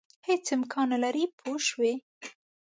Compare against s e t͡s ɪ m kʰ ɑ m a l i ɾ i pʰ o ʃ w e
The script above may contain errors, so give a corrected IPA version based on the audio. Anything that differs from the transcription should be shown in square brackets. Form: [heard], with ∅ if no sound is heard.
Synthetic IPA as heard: [h] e t͡s ɪ m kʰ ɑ [n] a l [a] ɾ i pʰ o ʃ w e